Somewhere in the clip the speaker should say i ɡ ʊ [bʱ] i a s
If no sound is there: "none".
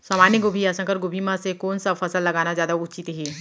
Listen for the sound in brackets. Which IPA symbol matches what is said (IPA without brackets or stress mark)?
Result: bʱ